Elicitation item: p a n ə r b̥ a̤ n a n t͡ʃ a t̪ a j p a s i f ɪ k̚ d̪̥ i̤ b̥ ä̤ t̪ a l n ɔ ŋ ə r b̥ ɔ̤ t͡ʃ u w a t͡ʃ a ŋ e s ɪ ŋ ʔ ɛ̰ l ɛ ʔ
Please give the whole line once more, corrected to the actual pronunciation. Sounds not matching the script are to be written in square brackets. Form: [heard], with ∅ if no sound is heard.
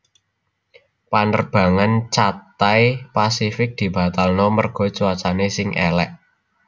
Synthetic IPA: p a n ə r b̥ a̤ [ŋ] a n t͡ʃ a t̪ a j p a s i f ɪ k̚ d̪̥ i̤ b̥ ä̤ t̪ a l n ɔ [m] ə r [ɡ̥] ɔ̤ t͡ʃ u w a t͡ʃ a [n] e s ɪ ŋ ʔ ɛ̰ l ɛ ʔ